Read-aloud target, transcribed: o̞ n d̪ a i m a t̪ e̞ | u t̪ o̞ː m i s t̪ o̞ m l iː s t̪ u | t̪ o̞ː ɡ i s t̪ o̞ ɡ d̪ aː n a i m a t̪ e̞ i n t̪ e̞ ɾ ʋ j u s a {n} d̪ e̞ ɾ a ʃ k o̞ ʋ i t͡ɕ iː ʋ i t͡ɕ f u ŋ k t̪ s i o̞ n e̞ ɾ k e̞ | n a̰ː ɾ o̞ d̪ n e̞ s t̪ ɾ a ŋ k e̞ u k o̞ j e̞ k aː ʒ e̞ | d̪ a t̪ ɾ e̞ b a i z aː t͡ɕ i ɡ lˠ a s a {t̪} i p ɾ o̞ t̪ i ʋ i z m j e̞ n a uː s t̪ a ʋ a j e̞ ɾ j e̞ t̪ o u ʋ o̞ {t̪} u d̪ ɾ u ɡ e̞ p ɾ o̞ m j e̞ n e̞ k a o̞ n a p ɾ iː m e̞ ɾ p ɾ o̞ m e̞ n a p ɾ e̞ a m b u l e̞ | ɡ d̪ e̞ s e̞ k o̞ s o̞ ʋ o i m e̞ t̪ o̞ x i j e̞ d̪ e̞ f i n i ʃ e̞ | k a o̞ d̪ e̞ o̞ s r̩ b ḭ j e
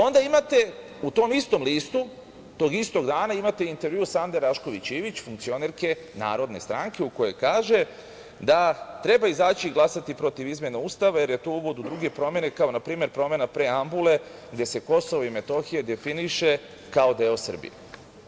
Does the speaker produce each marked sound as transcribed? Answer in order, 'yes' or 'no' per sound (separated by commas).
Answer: yes, yes, no